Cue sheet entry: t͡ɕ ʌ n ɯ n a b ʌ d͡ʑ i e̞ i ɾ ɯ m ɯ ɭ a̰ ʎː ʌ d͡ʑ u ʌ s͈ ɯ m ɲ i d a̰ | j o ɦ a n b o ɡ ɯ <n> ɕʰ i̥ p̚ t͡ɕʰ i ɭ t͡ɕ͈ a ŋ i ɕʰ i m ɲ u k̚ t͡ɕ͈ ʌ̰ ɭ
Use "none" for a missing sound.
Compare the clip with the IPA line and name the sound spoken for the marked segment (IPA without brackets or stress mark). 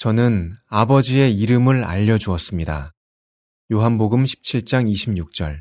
m